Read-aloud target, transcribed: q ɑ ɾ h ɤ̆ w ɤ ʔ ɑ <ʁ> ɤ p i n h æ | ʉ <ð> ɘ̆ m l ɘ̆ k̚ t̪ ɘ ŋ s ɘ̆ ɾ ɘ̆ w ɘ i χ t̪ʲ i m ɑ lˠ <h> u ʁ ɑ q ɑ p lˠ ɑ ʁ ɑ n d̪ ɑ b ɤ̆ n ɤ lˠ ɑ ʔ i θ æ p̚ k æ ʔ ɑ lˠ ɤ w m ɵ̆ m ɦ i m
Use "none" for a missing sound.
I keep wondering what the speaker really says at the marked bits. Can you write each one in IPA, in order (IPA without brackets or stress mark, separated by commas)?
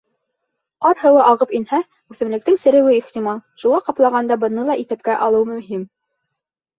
ʁ, θ, ʃ